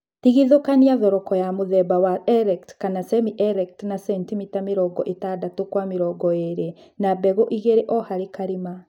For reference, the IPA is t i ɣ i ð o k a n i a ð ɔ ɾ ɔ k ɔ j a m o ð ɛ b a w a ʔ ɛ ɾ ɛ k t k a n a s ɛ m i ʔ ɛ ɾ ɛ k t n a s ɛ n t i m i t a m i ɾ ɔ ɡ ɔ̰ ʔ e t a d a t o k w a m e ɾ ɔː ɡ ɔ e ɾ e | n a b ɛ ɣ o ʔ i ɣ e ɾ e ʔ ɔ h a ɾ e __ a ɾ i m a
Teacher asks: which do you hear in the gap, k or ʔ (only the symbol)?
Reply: k